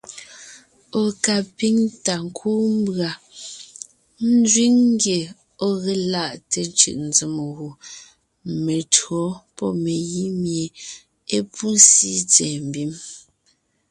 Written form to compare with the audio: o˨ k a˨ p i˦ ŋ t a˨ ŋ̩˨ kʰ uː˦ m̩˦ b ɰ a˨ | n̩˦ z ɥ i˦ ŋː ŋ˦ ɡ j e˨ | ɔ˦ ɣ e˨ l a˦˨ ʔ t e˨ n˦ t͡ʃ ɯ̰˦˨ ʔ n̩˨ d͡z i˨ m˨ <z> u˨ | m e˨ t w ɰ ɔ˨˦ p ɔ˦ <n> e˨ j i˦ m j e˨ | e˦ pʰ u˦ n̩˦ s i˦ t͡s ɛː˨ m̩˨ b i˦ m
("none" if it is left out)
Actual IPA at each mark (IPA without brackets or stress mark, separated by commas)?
ɣ, m